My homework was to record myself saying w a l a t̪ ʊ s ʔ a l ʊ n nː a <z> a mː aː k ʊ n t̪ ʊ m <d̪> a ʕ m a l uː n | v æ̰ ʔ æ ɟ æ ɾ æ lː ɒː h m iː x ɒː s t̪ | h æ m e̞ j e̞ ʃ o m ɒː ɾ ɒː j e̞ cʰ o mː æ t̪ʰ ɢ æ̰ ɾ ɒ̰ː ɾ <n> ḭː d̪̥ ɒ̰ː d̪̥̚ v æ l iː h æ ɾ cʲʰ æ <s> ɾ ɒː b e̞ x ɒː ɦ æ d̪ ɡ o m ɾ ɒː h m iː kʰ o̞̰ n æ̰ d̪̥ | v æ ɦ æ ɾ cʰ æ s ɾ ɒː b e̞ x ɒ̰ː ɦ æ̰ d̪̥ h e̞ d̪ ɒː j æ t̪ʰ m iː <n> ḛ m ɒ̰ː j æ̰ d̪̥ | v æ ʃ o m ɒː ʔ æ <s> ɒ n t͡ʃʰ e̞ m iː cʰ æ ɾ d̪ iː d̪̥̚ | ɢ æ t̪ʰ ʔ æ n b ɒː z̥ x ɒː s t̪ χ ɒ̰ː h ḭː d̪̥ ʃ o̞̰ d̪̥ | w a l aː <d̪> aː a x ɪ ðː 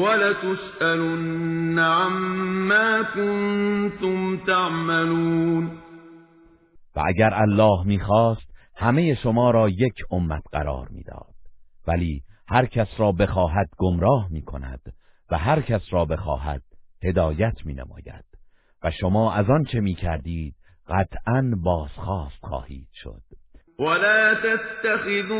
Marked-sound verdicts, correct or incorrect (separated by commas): incorrect, incorrect, incorrect, correct, correct, incorrect, incorrect